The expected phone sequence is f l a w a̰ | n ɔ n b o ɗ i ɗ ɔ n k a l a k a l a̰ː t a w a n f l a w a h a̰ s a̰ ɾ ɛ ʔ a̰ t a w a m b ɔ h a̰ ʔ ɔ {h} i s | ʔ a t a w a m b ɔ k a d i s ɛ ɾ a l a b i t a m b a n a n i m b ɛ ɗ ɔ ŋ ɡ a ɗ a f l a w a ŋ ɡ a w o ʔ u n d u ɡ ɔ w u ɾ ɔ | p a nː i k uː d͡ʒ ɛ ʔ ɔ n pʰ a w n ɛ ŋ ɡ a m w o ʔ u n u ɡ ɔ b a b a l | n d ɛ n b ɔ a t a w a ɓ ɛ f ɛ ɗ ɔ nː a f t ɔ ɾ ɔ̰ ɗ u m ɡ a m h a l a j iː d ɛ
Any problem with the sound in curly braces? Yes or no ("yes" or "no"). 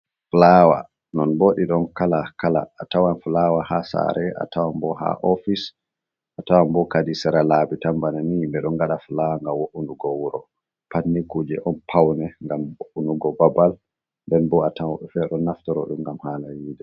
yes